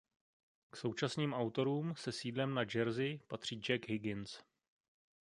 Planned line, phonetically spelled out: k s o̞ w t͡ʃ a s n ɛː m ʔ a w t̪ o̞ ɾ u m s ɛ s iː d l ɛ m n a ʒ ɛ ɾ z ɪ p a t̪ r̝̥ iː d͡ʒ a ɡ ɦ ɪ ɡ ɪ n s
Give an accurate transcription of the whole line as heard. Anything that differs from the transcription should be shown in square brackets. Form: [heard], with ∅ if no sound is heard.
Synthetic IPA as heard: k s o̞ w t͡ʃ a s n [iː] m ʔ a w t̪ o̞ ɾ [uː] m s ɛ s iː d l ɛ m n a [d͡ʒ] ɛ ɾ z ɪ p a t̪ r̝̥ iː d͡ʒ [ɛ] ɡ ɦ ɪ ɡ ɪ n s